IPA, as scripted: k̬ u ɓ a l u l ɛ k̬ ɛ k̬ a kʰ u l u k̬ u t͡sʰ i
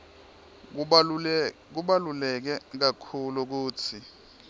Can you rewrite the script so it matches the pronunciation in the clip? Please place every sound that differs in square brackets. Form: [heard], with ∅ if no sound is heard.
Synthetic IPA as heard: k̬ u ɓ a l u l ɛ k̬ ɛ k̬ a kʰ u l u k̬ [uː] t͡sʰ i